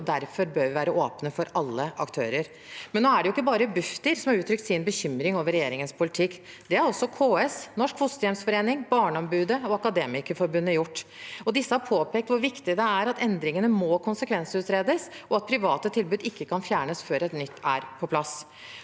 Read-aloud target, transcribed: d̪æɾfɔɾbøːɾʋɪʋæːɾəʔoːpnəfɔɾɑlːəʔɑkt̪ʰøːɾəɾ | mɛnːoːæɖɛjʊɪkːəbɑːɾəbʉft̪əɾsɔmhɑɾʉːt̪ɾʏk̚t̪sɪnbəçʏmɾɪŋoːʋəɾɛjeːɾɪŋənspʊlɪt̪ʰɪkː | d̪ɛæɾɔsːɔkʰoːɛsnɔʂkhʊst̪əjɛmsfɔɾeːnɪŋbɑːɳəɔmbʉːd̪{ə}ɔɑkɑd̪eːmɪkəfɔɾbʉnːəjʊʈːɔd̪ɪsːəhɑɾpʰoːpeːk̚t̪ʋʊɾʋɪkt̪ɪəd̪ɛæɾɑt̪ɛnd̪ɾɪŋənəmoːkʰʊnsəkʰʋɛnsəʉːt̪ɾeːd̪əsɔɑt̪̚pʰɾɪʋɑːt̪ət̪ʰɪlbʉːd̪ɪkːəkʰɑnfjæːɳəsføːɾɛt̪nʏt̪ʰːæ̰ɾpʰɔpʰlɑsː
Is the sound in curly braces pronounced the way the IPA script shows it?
yes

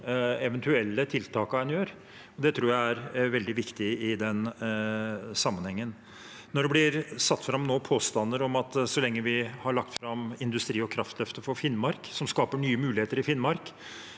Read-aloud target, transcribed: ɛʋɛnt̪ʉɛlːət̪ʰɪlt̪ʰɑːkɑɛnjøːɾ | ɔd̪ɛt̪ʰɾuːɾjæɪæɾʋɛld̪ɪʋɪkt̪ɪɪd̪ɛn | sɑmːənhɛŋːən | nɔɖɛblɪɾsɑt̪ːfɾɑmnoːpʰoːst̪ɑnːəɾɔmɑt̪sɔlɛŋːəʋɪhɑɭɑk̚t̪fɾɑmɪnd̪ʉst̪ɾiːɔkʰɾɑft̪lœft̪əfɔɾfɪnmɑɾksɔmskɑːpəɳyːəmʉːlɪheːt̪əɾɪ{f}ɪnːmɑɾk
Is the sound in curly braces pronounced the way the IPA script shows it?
yes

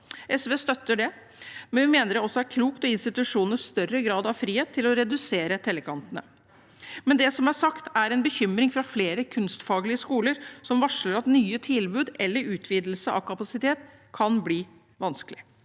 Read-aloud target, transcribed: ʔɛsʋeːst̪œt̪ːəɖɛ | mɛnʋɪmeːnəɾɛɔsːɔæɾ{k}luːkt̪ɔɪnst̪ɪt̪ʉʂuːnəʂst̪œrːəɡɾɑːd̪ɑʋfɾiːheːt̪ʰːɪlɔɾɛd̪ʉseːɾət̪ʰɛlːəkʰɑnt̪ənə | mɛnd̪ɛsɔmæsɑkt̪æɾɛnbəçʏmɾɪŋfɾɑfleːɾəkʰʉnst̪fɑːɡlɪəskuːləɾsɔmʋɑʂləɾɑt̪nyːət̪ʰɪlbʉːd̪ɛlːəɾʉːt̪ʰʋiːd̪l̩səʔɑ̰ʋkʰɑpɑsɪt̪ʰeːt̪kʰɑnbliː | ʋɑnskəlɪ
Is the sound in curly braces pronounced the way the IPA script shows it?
no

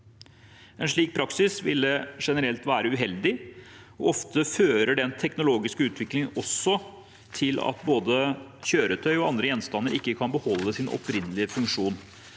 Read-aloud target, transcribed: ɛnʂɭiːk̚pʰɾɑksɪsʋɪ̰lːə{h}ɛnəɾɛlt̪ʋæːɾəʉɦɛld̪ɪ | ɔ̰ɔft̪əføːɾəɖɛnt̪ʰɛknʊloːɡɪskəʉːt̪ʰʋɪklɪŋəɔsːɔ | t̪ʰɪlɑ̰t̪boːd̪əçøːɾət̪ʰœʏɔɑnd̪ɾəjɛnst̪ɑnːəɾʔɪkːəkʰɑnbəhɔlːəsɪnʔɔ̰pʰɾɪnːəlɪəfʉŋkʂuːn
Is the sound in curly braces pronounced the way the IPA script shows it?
no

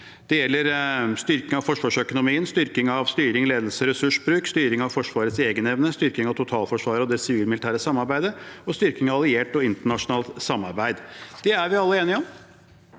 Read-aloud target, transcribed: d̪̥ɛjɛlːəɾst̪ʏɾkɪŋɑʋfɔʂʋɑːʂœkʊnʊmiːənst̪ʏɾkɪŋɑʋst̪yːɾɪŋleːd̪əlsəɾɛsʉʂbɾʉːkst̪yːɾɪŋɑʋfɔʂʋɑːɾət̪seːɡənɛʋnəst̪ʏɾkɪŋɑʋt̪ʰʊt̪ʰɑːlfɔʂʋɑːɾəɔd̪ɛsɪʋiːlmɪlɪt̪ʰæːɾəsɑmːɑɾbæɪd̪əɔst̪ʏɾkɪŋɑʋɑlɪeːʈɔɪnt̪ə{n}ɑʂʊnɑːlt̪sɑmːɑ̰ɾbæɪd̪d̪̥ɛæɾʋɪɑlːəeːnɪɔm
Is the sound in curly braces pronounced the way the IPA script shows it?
no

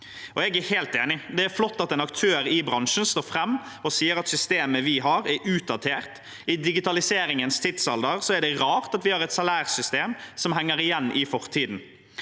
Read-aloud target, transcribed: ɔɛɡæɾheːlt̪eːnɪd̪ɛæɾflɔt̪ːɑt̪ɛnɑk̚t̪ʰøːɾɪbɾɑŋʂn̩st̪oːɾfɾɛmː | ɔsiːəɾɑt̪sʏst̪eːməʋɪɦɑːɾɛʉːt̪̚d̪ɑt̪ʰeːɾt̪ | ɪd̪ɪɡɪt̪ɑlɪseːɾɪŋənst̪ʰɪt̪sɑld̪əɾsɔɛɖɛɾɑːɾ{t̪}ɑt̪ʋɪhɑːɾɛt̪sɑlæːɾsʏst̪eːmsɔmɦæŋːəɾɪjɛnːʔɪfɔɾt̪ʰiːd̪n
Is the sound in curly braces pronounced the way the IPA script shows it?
yes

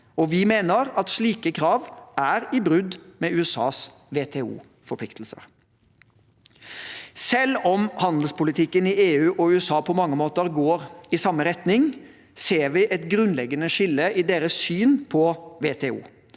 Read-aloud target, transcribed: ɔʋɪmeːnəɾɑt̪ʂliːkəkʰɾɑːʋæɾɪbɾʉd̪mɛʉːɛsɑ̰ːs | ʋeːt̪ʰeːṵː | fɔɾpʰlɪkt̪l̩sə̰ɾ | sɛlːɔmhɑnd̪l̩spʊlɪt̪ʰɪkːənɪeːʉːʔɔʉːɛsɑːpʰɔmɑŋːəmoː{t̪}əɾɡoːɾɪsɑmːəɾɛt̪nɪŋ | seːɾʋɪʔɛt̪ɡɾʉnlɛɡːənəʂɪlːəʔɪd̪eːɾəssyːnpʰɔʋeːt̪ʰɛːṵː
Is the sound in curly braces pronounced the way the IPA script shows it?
yes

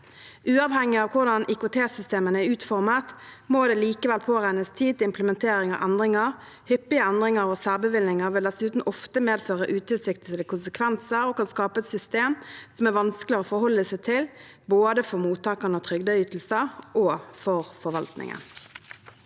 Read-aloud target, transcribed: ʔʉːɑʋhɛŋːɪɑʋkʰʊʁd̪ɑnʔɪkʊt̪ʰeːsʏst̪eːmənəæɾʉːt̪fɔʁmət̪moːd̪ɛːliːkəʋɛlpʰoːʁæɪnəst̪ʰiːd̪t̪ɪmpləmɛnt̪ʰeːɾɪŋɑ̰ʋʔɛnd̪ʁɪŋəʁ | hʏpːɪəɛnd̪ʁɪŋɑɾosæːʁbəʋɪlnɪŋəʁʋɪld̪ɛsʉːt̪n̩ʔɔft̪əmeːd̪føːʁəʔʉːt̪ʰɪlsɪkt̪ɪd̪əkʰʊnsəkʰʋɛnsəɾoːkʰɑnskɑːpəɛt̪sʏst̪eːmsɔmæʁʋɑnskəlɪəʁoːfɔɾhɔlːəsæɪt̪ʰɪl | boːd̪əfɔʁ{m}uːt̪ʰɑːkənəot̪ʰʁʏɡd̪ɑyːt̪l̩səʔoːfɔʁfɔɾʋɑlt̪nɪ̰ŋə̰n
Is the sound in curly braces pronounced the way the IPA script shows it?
yes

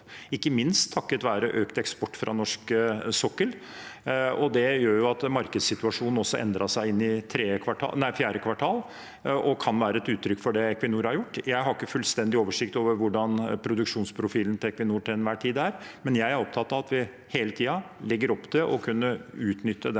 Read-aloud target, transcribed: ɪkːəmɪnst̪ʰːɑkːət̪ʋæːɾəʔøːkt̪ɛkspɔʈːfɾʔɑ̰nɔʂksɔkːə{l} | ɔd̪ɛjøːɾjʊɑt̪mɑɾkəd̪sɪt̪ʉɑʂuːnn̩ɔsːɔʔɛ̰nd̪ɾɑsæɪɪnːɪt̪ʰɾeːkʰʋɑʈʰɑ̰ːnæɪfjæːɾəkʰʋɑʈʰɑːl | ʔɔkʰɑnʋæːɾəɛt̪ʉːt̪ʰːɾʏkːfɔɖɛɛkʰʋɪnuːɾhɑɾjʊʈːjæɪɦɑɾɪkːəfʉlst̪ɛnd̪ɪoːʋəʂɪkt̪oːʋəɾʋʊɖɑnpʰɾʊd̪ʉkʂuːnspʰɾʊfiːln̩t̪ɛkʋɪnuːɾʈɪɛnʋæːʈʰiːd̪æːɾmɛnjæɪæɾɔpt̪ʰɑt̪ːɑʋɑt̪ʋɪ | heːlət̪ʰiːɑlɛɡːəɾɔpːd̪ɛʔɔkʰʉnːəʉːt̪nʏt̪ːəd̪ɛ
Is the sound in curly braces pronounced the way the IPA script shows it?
yes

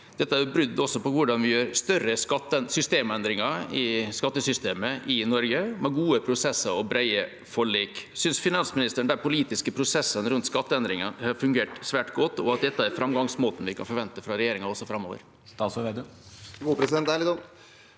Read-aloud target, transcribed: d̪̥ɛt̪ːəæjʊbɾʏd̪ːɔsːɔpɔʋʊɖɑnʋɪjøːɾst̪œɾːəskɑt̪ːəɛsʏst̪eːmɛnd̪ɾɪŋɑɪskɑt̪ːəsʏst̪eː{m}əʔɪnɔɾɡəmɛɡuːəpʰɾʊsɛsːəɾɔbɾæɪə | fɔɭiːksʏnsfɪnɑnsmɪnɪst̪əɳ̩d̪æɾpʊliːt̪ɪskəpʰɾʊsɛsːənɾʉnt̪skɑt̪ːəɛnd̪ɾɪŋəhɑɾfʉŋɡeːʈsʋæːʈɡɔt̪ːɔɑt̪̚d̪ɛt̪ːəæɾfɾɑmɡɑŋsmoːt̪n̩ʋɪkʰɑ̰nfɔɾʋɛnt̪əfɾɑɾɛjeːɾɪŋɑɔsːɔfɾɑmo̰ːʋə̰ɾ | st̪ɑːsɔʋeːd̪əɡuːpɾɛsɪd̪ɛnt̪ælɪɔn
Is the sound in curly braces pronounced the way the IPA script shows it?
yes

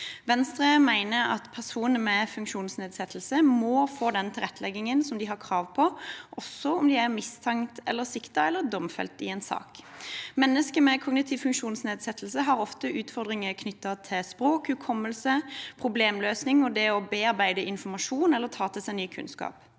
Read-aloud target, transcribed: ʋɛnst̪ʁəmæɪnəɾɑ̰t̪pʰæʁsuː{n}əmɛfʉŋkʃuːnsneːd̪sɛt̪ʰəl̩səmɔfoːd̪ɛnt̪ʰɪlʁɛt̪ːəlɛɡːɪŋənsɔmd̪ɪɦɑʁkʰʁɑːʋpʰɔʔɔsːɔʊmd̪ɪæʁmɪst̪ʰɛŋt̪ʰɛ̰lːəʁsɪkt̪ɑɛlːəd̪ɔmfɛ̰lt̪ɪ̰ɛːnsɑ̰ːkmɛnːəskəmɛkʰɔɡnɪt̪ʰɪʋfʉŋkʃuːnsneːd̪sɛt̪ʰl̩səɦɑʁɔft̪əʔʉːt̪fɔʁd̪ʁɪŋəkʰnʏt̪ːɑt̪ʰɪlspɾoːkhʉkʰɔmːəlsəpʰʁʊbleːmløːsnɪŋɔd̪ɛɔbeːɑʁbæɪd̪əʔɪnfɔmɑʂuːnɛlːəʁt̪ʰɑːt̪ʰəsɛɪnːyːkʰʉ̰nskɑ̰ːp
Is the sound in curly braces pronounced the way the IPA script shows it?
yes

